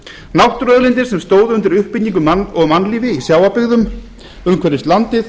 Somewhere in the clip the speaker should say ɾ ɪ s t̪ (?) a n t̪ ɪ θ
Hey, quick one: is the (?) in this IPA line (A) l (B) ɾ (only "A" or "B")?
A